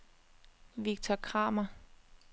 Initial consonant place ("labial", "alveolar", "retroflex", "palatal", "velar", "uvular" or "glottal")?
labial